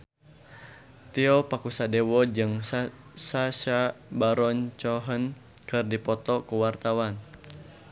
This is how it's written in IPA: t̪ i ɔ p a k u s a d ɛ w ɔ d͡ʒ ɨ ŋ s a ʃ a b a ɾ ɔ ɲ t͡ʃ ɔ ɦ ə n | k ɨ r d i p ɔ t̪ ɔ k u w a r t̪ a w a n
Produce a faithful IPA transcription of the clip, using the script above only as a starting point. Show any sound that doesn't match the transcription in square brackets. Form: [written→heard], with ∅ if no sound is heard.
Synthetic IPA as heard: t̪ i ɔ p a k u s a d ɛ w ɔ d͡ʒ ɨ ŋ s a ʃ a b a ɾ ɔ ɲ t͡ʃ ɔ ɦ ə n | k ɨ r d i p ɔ t̪ ɔ k u w a r t̪ a w a n